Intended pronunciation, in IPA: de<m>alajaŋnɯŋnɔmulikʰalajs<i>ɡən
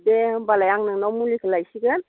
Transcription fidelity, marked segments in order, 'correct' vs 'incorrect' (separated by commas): incorrect, correct